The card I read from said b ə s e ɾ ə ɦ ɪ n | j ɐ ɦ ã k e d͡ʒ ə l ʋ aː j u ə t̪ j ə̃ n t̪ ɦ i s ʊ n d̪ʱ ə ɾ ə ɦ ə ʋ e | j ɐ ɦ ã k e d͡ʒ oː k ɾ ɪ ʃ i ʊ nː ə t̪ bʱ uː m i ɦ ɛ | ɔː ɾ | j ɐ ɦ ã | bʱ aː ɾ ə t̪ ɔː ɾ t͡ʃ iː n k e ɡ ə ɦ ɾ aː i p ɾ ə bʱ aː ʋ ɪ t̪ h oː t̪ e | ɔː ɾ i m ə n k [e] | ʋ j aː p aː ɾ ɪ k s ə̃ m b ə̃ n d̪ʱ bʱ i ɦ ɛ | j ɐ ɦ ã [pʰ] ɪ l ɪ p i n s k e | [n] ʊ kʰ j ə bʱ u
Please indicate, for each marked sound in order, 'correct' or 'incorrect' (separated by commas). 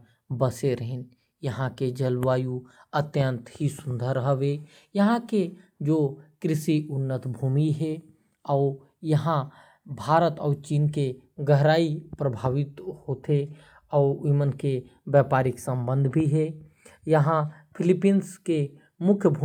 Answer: correct, correct, incorrect